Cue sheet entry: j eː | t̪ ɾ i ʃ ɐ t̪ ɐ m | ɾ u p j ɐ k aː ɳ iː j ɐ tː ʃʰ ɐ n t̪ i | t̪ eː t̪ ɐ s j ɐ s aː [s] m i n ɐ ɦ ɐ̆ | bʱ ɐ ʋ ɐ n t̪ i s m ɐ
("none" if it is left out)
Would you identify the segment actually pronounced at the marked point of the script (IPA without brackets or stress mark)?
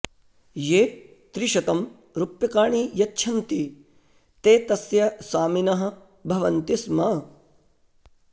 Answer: none